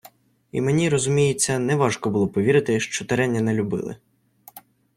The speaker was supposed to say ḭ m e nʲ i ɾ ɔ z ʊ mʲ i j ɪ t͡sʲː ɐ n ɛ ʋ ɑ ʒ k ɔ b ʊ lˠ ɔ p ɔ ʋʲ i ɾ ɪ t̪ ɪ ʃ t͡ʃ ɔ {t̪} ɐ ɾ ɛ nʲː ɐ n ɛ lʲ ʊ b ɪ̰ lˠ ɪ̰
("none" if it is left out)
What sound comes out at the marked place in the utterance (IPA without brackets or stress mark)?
t̪